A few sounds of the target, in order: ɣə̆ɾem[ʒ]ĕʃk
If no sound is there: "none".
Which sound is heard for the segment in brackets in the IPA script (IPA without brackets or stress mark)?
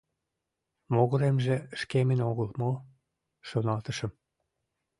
ʒ